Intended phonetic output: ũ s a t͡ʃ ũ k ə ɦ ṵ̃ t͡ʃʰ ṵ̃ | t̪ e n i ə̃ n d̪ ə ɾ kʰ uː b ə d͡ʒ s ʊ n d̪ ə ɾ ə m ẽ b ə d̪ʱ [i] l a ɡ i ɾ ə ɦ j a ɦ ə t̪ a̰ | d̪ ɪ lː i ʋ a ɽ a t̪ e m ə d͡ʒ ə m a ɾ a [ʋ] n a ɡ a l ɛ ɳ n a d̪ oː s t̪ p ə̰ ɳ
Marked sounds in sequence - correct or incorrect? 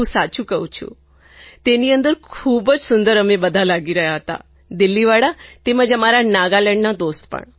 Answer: incorrect: a, incorrect: none

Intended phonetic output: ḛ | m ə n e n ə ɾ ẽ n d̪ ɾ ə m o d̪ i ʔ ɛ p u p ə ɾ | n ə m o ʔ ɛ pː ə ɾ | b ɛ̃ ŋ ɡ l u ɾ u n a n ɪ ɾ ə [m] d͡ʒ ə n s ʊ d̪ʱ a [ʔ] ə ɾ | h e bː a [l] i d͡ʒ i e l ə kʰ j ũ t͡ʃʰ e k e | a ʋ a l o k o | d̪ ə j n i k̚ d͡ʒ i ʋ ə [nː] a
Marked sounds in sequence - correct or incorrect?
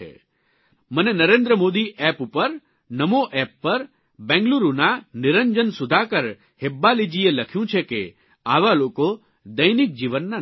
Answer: incorrect: ɲ, incorrect: k, correct, correct

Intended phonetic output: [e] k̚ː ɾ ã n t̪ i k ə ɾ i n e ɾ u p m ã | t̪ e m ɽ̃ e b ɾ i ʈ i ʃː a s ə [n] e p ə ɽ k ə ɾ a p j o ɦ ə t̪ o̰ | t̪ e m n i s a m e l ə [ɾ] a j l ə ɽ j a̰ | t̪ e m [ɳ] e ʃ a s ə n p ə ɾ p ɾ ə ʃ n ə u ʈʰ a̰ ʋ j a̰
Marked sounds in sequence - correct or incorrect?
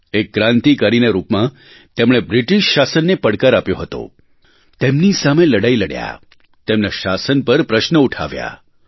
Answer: correct, incorrect: nː, incorrect: ɽ, incorrect: n

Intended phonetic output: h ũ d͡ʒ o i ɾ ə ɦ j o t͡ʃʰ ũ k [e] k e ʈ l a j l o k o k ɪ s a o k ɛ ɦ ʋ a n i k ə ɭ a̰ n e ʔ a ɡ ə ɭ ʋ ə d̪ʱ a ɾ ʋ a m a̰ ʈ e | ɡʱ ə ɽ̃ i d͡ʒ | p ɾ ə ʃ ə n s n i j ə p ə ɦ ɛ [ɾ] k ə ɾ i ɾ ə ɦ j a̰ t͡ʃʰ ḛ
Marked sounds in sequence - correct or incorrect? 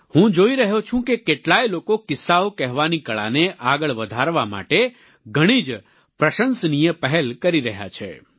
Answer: correct, incorrect: l

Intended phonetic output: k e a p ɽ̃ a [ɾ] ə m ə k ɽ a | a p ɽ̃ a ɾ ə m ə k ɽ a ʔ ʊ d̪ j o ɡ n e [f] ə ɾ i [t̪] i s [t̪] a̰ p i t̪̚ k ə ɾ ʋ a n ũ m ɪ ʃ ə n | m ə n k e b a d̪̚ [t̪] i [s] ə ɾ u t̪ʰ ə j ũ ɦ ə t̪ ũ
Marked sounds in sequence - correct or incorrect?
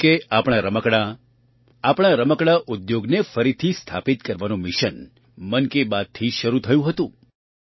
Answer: correct, correct, incorrect: t̪ʰ, incorrect: t̪ʰ, incorrect: t̪ʰ, incorrect: ʃ

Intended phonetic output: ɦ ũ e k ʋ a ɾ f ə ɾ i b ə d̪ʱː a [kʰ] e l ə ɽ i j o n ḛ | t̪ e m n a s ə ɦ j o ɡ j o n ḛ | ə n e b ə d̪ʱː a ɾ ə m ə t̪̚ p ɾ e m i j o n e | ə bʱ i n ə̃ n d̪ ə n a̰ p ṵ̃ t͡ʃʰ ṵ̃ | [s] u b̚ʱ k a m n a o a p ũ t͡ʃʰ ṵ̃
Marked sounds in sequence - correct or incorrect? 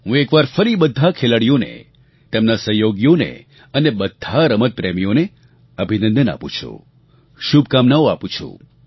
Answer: correct, incorrect: ʃ

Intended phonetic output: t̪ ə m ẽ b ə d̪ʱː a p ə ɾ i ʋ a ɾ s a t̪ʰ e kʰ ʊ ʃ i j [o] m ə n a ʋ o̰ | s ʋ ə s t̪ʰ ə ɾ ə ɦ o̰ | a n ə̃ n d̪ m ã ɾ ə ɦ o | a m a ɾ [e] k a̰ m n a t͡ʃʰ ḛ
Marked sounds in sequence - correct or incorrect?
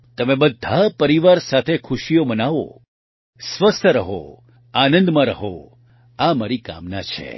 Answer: correct, incorrect: i

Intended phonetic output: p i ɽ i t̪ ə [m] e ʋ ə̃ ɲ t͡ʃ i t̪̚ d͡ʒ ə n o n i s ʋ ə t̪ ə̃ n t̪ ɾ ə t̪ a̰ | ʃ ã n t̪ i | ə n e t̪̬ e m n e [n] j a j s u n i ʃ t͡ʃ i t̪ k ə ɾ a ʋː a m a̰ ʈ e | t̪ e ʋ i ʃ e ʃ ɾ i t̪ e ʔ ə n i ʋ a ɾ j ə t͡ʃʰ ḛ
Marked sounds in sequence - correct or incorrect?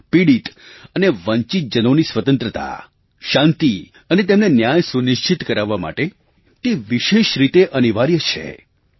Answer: incorrect: n, correct

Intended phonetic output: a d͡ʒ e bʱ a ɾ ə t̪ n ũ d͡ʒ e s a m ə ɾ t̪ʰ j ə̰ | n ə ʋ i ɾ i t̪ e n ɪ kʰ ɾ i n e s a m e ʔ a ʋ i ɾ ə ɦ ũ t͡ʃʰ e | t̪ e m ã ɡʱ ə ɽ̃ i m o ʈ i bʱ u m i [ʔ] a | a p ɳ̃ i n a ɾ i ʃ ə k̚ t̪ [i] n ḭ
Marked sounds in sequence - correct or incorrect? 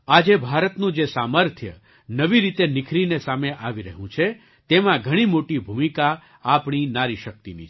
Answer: incorrect: k, correct

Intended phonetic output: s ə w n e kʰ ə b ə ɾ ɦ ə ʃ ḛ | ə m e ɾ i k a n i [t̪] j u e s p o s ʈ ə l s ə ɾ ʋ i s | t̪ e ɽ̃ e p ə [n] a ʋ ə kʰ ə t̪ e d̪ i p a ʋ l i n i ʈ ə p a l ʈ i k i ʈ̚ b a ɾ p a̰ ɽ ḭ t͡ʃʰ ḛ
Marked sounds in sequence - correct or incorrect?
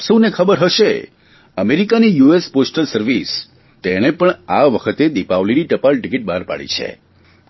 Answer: incorrect: none, incorrect: ɳ

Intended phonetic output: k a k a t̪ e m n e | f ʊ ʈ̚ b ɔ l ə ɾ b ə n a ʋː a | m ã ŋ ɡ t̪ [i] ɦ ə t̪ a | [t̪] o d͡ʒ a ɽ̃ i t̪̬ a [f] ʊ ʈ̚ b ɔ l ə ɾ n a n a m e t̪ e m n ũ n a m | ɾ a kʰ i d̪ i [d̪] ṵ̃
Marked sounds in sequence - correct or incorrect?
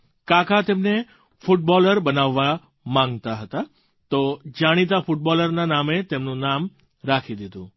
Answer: incorrect: a, correct, correct, correct

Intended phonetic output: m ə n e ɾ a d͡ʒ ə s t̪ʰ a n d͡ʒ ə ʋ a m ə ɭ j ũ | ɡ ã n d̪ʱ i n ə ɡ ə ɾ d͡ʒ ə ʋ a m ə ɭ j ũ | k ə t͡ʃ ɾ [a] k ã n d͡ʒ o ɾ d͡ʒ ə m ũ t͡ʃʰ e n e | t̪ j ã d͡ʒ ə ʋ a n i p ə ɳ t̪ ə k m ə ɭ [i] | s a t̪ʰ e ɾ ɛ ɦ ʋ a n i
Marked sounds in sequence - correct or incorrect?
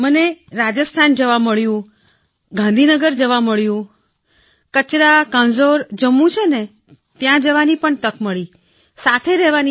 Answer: correct, correct

